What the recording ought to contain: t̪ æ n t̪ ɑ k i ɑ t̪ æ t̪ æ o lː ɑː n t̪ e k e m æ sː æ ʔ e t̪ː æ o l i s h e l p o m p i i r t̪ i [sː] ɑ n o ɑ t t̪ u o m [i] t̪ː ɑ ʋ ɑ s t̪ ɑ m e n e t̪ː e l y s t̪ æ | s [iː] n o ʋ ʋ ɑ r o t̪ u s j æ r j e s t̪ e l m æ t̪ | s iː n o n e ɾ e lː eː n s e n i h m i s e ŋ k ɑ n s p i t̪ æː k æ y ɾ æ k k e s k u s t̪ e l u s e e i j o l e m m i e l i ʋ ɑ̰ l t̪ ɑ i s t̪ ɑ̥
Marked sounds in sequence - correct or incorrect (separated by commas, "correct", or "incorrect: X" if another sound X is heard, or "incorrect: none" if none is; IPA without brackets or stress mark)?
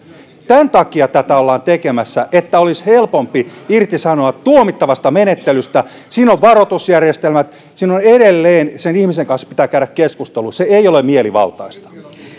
incorrect: s, correct, correct